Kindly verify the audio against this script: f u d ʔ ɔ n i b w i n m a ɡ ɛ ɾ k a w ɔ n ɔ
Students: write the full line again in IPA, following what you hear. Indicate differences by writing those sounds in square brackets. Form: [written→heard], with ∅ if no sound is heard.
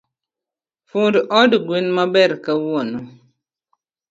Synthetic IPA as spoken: f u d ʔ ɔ [n→d] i [b→ɡ] w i n m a [ɡ→b] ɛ ɾ k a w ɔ n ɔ